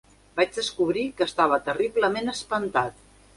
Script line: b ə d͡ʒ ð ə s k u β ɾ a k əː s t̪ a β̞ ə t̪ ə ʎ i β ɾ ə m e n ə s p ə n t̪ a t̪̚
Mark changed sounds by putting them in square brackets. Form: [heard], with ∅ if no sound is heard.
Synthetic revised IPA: b [a] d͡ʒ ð ə s k u β ɾ [i] k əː s t̪ a β̞ ə t̪ ə [r] i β [l] ə m e n ə s p ə n t̪ a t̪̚